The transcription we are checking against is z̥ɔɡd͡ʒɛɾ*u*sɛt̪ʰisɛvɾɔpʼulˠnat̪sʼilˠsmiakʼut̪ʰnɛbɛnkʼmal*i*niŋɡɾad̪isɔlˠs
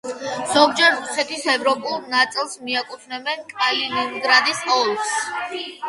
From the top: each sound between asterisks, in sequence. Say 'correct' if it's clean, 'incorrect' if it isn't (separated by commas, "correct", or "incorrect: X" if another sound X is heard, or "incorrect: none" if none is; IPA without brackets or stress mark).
correct, correct